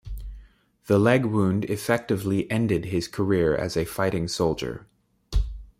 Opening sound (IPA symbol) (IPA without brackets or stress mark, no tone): ð